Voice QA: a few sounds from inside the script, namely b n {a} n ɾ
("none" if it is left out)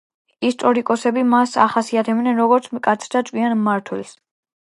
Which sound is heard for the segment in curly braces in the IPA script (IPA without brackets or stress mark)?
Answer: ɛ